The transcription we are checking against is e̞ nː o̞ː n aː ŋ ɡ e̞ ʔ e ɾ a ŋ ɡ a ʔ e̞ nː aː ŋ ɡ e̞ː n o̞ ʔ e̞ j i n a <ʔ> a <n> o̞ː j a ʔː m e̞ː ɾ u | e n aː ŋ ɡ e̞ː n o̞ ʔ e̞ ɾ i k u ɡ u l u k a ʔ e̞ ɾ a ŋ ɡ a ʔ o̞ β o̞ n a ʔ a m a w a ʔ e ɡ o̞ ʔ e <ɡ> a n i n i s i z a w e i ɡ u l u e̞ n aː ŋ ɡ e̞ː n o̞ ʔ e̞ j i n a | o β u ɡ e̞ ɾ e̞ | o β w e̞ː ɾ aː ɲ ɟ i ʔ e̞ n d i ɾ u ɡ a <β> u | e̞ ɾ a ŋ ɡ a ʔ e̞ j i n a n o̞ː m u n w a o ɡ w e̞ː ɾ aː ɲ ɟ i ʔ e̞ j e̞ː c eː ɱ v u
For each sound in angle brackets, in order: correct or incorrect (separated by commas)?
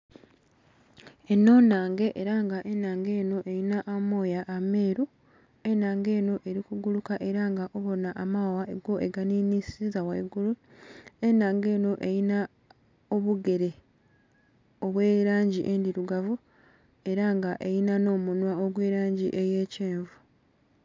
correct, incorrect, correct, incorrect